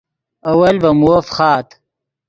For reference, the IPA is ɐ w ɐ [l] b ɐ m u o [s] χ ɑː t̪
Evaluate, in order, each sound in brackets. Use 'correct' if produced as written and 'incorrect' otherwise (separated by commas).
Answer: correct, incorrect